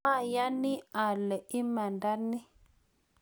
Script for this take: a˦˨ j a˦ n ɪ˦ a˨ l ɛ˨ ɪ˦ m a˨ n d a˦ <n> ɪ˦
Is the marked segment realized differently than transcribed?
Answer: no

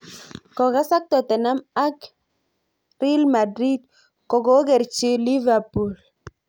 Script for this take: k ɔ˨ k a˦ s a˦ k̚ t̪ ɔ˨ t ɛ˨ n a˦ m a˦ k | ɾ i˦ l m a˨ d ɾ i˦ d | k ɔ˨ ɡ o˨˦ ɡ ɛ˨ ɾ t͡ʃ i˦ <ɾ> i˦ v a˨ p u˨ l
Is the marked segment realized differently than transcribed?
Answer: yes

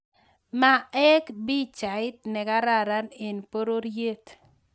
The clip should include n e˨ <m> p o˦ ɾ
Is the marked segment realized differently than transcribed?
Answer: yes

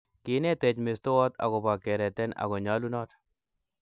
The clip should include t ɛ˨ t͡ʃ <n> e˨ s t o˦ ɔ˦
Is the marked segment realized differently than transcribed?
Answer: yes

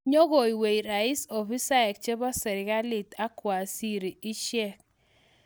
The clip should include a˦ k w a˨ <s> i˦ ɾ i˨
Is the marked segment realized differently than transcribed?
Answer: no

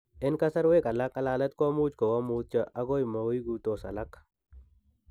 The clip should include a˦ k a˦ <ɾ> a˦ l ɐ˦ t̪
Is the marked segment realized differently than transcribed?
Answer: yes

